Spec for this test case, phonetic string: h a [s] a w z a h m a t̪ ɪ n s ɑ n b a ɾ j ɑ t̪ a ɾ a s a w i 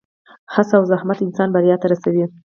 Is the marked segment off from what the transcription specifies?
no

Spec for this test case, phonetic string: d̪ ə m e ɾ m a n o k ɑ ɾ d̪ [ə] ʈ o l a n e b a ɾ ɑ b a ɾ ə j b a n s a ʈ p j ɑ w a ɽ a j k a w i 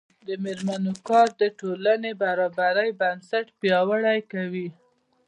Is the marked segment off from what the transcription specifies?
no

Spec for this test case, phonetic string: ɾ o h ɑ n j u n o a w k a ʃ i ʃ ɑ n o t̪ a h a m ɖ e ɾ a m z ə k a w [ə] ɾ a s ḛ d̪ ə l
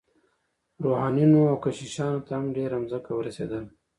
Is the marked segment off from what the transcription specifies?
no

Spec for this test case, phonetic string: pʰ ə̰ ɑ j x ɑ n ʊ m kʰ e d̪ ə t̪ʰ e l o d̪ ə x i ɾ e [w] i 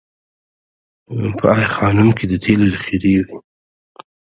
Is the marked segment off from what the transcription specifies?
no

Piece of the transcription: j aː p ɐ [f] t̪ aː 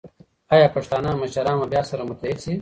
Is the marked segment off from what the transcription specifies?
yes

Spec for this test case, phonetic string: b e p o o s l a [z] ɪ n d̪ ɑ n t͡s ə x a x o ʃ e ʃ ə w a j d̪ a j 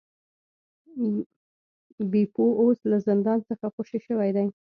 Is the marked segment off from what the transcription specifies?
no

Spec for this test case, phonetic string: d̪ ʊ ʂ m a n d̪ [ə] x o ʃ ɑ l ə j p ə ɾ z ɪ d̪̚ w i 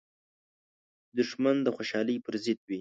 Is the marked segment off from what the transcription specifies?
no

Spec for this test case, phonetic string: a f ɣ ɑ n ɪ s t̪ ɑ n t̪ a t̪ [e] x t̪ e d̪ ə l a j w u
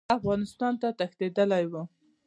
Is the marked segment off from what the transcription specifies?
yes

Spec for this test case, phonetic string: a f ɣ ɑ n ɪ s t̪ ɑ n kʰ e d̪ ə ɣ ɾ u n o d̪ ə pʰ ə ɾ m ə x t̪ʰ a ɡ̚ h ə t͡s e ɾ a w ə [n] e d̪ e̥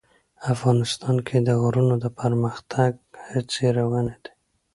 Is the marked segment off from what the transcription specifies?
no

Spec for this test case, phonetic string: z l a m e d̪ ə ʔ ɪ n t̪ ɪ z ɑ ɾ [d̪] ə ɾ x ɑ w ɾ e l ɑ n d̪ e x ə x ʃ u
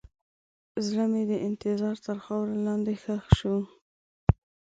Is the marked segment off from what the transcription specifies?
yes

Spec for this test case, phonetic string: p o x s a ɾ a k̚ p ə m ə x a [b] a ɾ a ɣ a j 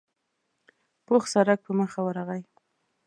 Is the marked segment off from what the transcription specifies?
yes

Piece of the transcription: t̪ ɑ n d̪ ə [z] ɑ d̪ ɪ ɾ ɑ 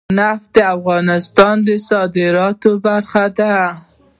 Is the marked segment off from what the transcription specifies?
yes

